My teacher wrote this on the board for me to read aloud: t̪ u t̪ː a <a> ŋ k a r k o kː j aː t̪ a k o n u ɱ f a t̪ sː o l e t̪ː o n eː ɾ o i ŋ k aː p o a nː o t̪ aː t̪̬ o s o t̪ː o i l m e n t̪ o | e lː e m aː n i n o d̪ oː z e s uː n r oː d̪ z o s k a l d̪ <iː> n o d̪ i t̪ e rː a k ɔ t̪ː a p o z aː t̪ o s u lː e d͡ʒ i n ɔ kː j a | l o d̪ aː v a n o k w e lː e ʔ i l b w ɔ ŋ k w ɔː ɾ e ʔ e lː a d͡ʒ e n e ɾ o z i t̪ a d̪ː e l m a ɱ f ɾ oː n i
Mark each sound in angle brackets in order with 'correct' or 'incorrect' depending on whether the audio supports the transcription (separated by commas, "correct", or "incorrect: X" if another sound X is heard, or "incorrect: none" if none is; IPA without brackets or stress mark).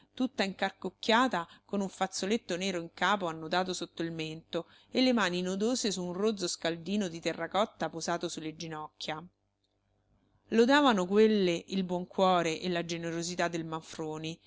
incorrect: i, correct